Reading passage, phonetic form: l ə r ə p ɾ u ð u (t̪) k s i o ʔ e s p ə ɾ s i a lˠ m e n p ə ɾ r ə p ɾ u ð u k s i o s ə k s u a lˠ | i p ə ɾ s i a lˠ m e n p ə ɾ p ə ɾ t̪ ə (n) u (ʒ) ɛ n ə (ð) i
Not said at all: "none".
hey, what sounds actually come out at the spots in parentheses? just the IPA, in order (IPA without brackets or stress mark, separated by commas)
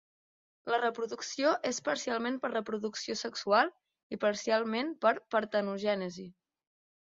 none, n, ʒ, z